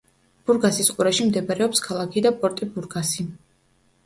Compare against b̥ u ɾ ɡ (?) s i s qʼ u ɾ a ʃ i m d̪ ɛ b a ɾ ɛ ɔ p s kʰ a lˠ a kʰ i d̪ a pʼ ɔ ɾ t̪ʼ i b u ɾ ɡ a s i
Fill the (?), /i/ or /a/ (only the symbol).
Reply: a